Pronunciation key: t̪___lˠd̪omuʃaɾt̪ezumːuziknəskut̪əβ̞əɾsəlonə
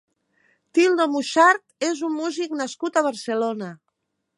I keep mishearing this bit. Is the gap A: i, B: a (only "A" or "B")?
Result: A